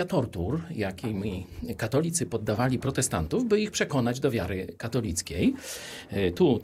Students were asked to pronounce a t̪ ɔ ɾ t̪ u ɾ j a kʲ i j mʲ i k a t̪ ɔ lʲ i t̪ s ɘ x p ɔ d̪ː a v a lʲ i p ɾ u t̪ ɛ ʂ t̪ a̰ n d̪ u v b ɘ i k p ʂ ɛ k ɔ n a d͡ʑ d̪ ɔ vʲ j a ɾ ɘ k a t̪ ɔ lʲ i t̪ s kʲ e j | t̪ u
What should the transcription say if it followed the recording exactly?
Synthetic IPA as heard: a t̪ ɔ ɾ t̪ u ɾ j a kʲ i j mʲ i k a t̪ ɔ lʲ i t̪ s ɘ p ɔ d̪ː a v a lʲ i p ɾ ɔ t̪ ɛ s t̪ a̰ n t̪ u v b ɘ i x p ʂ ɛ k ɔ n a d͡ʑ d̪ ɔ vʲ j a ɾ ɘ k a t̪ ɔ lʲ i t̪ s kʲ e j | t̪ u